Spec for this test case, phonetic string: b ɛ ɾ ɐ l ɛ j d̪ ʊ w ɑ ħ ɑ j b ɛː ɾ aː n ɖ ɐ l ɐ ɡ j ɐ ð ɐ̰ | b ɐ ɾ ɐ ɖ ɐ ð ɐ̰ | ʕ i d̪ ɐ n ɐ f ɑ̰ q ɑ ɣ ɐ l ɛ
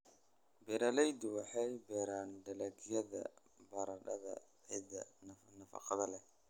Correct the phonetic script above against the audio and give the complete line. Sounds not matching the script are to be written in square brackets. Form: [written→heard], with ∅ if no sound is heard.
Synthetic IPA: b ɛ ɾ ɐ l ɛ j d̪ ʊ w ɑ ħ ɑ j b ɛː ɾ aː n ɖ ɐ l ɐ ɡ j ɐ ð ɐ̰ | b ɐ ɾ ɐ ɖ ɐ ð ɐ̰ | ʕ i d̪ ɐ n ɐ f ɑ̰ q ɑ [ɣ→ð] ɐ l ɛ